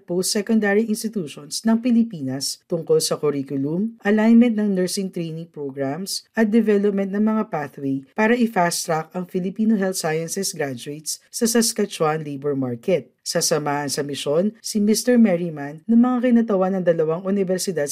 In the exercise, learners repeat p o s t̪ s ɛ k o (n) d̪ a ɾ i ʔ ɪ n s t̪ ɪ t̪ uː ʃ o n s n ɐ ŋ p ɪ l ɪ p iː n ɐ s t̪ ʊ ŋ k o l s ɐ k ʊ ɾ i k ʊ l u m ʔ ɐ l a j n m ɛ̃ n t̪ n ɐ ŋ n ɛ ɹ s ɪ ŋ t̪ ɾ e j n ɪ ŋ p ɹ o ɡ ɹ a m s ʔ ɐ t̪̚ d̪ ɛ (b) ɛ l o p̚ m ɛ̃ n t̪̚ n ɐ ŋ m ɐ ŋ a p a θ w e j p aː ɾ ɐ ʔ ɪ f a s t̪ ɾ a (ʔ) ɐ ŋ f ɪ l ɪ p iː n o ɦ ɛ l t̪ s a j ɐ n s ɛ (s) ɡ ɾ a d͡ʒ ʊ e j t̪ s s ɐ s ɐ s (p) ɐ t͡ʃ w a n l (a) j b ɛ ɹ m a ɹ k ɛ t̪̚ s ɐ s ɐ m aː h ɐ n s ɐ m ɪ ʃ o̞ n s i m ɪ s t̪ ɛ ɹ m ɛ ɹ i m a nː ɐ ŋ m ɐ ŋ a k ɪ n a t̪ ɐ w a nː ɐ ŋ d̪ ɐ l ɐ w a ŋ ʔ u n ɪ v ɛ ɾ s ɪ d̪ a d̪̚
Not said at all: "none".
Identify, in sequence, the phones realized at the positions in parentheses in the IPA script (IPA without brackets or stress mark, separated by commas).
n, v, k, s, k, e